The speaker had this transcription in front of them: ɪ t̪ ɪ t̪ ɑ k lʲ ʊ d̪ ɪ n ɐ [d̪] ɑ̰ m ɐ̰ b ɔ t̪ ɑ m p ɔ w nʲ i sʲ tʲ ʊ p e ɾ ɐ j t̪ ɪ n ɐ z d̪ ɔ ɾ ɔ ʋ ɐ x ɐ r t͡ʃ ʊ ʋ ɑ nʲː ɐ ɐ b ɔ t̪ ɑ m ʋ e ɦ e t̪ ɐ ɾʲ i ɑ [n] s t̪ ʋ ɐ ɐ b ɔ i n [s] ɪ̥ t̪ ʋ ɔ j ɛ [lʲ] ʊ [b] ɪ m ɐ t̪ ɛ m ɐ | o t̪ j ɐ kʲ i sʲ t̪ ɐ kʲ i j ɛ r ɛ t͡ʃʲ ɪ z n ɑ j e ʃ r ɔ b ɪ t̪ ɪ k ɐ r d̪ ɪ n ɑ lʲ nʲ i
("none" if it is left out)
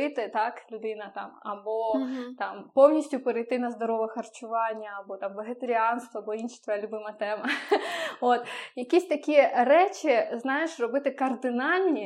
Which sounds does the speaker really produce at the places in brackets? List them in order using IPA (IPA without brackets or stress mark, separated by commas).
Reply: t̪, n, ʃ, lʲ, b